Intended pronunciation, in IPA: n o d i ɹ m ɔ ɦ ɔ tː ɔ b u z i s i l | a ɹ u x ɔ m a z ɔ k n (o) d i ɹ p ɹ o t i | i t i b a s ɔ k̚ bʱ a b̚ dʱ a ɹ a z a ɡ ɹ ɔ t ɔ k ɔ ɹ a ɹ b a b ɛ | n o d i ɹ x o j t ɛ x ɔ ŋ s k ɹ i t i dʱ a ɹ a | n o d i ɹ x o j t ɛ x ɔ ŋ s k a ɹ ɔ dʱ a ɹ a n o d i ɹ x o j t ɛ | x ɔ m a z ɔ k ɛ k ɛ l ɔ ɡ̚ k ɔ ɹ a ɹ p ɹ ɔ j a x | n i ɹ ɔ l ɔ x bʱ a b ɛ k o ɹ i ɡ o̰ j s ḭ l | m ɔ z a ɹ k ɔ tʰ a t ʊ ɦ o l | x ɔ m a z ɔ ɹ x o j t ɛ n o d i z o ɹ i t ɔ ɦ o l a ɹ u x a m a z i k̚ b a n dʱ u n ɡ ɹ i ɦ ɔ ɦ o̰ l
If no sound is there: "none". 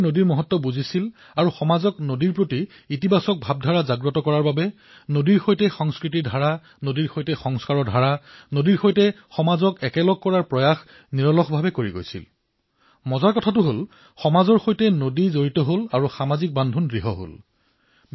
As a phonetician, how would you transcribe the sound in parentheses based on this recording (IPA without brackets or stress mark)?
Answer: o